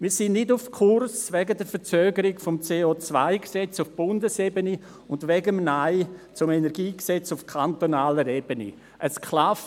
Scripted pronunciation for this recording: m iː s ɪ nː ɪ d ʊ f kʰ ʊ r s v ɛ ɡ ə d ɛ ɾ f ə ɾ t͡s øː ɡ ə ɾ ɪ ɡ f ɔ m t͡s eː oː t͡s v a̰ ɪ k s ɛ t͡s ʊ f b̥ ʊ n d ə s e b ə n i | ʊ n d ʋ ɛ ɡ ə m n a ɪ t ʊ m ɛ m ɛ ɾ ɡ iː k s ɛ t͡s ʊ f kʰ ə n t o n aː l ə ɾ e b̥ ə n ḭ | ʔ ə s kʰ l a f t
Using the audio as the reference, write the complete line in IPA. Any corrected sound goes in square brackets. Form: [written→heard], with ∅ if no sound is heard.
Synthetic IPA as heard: m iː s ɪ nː ɪ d ʊ f kʰ ʊ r s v ɛ ɡ ə d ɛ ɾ f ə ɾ t͡s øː ɡ ə ɾ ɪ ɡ f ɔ m t͡s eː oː t͡s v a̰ ɪ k s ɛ t͡s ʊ f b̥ ʊ n d ə s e b ə n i | ʊ n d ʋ ɛ ɡ ə m n a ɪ [t→t͡s] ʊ m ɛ [m→n] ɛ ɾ ɡ iː k s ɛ t͡s ʊ f kʰ [ə→a] n t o n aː l ə ɾ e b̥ ə n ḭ | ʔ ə s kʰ l a f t